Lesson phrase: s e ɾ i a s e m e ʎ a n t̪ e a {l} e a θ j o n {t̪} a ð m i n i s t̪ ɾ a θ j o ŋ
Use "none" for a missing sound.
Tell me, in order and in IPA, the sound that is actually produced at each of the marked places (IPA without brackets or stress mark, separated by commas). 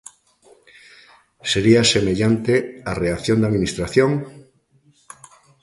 r, d̪